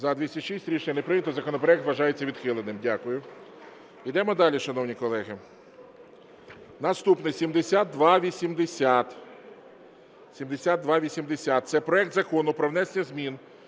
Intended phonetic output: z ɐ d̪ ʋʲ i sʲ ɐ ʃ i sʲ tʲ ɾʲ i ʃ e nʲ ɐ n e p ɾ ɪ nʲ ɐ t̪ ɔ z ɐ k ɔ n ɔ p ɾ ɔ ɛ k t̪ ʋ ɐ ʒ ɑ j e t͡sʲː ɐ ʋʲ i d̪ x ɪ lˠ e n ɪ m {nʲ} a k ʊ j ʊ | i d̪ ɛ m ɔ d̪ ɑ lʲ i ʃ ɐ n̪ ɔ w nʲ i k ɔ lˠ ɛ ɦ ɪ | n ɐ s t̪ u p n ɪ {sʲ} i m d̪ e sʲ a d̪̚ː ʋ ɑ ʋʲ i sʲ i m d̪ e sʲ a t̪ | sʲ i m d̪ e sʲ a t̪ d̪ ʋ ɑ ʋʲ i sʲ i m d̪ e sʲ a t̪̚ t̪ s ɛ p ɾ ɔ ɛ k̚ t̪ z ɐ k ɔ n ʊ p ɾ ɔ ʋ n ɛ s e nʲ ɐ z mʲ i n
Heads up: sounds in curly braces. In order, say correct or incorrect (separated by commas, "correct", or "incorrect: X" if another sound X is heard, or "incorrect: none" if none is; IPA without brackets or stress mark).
incorrect: dʲ, correct